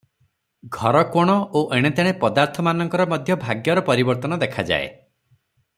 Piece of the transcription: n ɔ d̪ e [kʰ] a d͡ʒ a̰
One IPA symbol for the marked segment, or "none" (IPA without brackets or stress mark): kʰ